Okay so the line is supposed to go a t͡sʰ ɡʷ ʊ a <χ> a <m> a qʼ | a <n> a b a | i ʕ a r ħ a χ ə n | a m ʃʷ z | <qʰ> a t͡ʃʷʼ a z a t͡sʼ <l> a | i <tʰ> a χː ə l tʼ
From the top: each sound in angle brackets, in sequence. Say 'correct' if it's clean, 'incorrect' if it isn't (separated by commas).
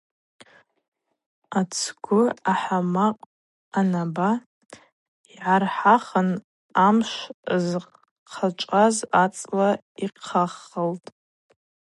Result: incorrect, correct, correct, correct, correct, incorrect